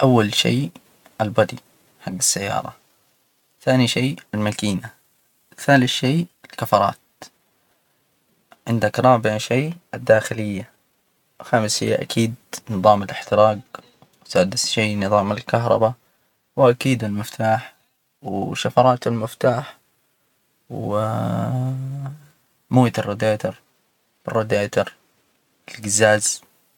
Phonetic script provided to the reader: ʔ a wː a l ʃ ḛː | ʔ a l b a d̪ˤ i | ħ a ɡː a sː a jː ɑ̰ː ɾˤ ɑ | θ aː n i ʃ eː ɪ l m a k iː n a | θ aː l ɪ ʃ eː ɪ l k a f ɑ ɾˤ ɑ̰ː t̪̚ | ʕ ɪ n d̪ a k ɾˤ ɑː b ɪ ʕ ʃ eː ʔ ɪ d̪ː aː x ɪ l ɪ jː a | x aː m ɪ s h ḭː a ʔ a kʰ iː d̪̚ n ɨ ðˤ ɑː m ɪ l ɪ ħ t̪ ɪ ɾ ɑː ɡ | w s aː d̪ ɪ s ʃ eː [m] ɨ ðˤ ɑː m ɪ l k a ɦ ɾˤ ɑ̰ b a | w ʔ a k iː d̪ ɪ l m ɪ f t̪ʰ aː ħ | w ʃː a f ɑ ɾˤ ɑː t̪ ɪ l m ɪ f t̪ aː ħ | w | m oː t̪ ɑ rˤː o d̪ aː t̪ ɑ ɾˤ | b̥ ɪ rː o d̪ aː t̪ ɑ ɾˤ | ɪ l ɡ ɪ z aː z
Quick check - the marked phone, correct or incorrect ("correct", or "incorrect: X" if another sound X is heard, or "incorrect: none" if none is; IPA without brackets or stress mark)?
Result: incorrect: n